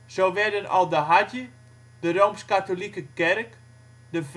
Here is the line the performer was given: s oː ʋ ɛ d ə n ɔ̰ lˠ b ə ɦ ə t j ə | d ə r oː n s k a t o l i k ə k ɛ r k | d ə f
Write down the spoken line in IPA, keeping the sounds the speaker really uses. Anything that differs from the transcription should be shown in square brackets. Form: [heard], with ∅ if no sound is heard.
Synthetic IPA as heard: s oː ʋ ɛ d ə n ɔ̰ lˠ [d] ə ɦ [a] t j ə | d ə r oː [m] s k a t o l i k ə k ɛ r k | d ə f